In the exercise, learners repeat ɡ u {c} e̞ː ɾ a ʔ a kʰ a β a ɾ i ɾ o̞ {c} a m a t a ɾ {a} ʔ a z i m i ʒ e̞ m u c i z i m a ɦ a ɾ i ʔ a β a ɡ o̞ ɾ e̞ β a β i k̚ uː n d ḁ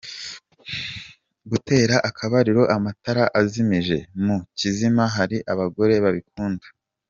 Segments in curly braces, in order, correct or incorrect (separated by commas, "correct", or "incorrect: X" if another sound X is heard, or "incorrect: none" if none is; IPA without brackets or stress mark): incorrect: t, incorrect: ʔ, correct